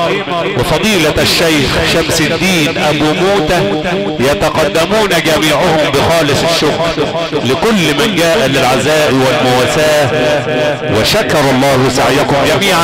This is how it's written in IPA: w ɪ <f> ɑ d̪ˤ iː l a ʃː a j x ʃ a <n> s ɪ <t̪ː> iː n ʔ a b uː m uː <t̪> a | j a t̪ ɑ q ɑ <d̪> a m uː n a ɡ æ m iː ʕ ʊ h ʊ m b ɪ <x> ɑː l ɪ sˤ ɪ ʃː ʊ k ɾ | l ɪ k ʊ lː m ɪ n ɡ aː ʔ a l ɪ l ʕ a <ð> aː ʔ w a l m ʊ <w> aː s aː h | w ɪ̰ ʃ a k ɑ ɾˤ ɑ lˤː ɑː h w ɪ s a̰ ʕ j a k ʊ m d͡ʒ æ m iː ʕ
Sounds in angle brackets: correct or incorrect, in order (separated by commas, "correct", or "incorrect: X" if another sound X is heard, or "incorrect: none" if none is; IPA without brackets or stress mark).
correct, incorrect: m, incorrect: d̪ː, correct, incorrect: d̪ː, correct, incorrect: z, correct